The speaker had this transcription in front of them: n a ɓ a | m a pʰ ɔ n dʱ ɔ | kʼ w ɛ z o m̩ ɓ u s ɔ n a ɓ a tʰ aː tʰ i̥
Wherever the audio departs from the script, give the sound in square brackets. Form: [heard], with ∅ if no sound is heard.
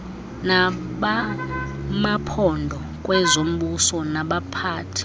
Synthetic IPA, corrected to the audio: n a ɓ a | m a pʰ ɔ n dʱ ɔ | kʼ w ɛ z o m̩ ɓ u s ɔ n a ɓ a [pʰ] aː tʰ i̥